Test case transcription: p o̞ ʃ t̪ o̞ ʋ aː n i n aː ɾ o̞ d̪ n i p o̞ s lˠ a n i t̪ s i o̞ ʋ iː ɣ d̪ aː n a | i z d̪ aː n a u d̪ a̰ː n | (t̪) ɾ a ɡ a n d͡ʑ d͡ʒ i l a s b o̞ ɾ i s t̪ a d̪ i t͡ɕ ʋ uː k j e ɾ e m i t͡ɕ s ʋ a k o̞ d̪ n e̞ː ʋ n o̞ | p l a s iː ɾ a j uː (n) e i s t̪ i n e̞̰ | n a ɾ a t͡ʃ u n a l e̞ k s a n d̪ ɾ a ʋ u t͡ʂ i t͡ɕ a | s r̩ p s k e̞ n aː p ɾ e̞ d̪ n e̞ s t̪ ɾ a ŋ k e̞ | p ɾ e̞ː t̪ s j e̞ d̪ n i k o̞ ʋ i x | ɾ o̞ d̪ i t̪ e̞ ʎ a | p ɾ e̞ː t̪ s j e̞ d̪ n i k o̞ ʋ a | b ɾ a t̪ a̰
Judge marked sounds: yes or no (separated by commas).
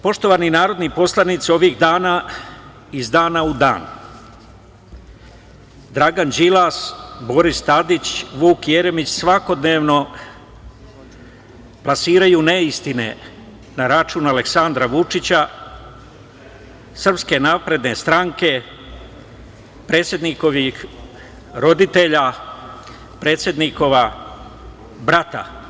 no, yes